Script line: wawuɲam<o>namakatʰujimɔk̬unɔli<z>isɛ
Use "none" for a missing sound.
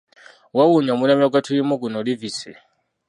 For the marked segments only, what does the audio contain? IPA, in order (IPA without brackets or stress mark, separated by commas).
u, v